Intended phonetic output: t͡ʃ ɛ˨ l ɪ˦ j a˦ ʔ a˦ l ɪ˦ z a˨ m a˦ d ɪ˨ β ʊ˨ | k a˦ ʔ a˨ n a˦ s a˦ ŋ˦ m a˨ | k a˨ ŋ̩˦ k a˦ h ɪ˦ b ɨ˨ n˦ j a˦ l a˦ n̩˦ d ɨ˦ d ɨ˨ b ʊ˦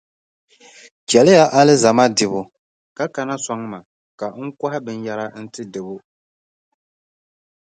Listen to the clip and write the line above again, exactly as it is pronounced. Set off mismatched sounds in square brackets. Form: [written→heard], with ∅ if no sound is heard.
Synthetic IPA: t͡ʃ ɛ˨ l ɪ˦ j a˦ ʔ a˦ l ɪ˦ z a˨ m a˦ d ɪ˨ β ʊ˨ | k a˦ [ʔ→k] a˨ n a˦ s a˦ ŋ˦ m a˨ | k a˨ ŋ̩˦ k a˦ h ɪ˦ b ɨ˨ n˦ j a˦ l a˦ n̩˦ [d→t] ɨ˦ d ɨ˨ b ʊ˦